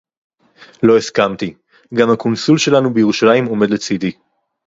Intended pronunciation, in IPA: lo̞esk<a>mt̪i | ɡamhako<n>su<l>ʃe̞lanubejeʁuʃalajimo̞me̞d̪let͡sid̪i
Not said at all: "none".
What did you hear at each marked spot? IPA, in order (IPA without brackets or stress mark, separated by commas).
a, n, l